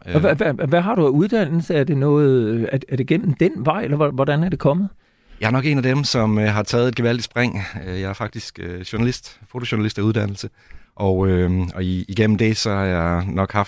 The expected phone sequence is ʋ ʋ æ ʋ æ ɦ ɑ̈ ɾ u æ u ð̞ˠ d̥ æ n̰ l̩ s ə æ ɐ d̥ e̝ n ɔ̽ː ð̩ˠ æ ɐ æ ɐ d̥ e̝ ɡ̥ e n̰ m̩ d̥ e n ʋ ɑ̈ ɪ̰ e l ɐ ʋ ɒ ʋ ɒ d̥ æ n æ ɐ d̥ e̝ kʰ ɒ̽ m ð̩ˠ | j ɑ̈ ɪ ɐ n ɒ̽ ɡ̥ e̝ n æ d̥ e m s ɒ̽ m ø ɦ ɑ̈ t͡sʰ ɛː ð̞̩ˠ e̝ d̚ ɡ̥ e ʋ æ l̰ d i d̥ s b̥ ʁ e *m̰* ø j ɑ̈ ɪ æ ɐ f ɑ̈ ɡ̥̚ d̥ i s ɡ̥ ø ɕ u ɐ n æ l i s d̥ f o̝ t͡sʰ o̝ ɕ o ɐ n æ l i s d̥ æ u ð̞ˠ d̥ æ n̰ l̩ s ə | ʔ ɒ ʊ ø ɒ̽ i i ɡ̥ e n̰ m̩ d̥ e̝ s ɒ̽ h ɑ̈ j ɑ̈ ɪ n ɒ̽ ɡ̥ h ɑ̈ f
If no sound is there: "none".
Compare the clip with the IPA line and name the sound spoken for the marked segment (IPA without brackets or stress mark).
ŋ̰